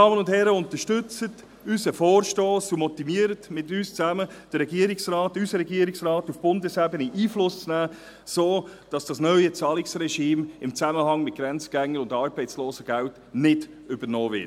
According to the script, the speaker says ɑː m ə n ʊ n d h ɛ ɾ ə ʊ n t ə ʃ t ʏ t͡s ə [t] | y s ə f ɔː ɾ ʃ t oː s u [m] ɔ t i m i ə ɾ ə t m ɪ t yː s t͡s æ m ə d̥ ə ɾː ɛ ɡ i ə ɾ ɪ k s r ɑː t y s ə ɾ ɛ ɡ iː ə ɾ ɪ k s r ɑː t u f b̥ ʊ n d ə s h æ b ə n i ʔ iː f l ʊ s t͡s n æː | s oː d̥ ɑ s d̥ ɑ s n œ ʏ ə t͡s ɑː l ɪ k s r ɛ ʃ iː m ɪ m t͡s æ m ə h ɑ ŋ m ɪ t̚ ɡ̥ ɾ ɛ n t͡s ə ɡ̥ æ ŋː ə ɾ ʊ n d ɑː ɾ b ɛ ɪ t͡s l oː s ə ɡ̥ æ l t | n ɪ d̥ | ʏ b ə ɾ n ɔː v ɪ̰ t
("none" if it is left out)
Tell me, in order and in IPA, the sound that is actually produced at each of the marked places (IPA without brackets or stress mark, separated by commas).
t, m